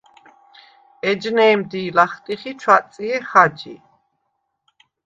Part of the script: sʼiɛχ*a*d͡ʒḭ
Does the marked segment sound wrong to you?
no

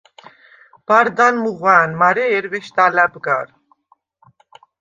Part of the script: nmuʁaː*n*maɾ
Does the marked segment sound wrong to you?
no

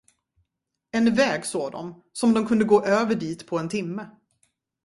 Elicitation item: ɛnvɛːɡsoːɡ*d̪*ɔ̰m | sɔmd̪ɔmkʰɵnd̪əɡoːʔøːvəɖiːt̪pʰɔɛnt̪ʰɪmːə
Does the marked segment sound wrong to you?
no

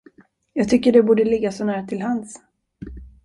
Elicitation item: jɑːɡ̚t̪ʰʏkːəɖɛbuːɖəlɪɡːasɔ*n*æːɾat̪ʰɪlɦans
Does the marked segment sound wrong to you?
no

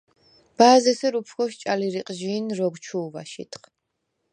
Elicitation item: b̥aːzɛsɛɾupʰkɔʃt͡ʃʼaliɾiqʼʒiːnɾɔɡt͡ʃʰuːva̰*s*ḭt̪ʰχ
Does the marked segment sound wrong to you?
yes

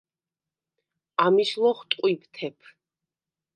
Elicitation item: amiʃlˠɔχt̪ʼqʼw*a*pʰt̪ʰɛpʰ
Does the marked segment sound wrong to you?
yes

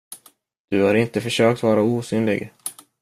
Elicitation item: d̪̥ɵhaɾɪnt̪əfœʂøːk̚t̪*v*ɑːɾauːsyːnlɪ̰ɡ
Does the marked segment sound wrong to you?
no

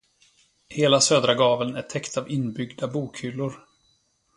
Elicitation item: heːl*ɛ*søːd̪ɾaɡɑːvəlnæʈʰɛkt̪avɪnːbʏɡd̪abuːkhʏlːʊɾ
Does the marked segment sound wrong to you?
yes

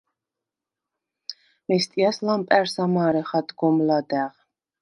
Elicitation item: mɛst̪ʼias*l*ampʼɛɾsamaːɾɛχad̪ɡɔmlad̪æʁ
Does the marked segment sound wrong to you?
no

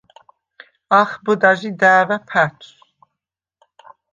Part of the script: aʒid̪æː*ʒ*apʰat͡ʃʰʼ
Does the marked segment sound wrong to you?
yes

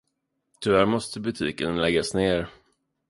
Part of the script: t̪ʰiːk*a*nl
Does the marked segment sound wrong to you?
yes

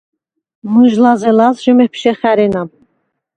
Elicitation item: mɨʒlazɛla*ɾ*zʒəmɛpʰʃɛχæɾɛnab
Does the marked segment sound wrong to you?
yes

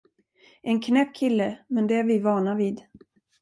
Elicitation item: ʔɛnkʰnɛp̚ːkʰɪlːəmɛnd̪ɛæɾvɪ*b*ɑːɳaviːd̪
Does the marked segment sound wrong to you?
yes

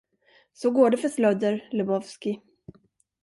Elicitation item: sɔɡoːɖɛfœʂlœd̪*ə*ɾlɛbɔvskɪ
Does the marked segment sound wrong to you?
no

